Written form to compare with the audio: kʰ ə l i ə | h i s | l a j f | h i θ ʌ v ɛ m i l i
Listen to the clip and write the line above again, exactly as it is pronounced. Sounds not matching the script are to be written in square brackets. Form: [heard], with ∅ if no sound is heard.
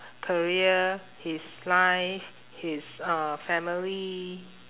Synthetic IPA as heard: kʰ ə [ɹ] i ə | h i s | l a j f | h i [s] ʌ [f] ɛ m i l i